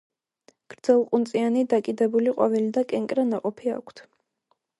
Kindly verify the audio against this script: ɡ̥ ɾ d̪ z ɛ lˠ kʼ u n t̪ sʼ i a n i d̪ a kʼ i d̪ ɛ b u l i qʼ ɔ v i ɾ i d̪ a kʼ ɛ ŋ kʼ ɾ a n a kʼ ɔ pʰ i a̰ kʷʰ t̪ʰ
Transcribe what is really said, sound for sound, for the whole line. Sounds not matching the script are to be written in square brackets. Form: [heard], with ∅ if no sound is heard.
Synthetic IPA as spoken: ɡ̥ ɾ d̪ z ɛ lˠ [qʼ] u n t̪ sʼ i a n i d̪ a kʼ i d̪ ɛ b u l i qʼ ɔ v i [l] i d̪ a kʼ ɛ ŋ kʼ ɾ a n a [qʼ] ɔ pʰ i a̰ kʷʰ t̪ʰ